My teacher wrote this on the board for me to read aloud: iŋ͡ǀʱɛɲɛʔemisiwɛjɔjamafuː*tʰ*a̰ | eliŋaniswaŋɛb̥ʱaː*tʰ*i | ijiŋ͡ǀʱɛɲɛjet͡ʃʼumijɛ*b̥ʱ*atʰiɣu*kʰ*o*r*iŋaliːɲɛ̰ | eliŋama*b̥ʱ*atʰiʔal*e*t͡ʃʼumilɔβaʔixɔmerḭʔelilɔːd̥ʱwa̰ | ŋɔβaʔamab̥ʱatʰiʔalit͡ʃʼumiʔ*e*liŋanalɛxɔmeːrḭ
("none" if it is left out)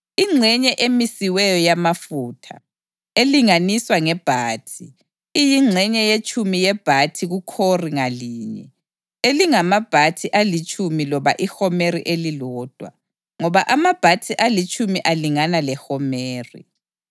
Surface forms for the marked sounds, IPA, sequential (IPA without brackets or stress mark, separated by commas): tʰ, tʰ, b̥ʱ, kʰ, r, b̥ʱ, i, a